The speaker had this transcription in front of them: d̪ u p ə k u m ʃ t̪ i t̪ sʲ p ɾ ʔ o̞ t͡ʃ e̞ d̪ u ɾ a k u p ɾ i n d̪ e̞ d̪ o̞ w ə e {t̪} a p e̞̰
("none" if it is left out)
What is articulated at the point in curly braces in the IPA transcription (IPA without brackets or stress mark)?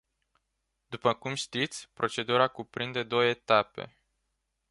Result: t̪